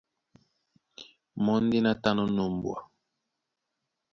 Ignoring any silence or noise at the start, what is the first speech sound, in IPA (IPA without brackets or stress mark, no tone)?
m